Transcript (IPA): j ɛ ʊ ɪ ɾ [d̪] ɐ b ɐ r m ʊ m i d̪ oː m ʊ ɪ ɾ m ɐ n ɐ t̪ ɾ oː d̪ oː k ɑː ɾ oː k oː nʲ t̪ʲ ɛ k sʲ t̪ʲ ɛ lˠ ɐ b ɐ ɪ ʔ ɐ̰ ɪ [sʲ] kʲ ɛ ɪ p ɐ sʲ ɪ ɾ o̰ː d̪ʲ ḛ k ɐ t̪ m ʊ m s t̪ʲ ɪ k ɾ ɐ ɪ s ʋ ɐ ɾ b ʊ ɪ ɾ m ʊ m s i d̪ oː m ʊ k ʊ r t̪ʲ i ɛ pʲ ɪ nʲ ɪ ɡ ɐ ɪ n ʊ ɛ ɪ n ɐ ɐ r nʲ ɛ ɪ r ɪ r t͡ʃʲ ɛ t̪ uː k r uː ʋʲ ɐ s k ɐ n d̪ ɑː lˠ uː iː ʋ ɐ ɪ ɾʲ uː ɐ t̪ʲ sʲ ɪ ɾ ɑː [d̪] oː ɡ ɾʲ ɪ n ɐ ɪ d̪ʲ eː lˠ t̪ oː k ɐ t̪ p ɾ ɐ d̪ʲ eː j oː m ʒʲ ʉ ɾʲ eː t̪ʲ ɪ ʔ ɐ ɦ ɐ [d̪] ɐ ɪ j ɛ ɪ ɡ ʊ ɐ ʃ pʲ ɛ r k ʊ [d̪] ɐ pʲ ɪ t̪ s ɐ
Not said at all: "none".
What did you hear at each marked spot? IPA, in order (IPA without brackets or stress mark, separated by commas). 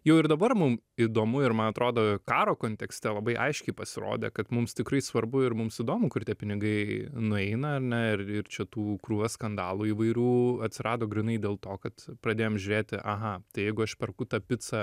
d̪, ʃʲ, d̪, t̪, t̪